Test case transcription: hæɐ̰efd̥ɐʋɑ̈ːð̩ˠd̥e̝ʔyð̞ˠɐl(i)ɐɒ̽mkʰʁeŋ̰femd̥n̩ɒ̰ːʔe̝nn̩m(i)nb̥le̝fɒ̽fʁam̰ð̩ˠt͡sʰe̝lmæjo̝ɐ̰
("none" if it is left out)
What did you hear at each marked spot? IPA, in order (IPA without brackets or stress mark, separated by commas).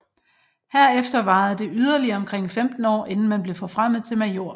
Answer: i, æ